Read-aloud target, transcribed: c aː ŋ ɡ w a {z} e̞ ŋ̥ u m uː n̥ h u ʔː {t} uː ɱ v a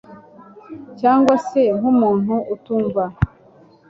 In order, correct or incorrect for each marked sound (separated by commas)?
incorrect, correct